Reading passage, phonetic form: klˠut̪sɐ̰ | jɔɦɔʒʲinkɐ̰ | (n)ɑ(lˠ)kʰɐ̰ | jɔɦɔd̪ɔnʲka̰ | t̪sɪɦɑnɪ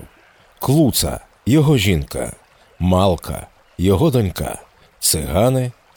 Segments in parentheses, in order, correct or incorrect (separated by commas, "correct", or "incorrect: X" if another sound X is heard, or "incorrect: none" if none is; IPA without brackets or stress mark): incorrect: m, correct